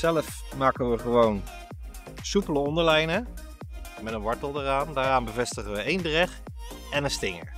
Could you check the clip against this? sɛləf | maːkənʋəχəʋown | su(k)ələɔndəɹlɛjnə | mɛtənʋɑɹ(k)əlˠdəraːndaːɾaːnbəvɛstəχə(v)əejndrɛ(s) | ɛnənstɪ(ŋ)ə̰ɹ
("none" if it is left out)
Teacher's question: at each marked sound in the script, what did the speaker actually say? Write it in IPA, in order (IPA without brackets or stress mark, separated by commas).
p, t, ʋ, χ, ŋ